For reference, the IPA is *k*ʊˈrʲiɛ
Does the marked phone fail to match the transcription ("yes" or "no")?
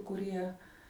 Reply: no